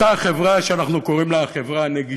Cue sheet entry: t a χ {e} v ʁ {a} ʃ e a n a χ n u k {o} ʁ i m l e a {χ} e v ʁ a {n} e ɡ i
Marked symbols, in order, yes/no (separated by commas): yes, yes, yes, yes, yes